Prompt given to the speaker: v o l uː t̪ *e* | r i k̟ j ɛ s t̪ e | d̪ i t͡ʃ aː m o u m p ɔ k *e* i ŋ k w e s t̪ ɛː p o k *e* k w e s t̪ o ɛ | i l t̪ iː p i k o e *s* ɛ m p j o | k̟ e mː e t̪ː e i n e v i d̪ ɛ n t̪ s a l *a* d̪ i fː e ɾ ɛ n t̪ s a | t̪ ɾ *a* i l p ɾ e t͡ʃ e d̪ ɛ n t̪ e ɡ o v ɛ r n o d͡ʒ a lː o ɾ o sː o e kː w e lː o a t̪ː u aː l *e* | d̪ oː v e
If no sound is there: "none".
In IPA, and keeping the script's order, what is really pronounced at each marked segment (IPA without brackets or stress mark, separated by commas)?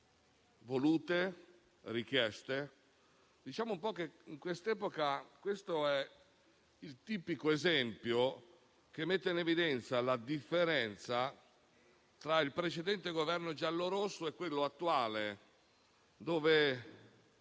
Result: e, e, a, z, a, a, e